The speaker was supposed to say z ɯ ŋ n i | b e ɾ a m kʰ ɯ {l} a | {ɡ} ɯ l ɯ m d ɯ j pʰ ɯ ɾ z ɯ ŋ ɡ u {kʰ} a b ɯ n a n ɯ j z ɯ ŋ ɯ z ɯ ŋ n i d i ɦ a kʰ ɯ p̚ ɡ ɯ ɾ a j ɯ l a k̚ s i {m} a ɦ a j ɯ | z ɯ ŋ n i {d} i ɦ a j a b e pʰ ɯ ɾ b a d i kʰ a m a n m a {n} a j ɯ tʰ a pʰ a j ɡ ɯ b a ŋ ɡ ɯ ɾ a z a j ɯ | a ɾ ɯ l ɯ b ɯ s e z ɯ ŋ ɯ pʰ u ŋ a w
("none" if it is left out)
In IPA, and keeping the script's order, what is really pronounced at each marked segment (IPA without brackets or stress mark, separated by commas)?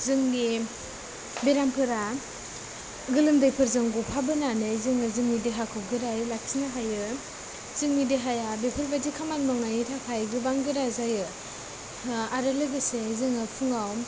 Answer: ɾ, ɡ, pʰ, n, d, ŋ